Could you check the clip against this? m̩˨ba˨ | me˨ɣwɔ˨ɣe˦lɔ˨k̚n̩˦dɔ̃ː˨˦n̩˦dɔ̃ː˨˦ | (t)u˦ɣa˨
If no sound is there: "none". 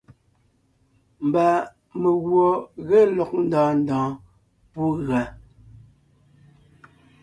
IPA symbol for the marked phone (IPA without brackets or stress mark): p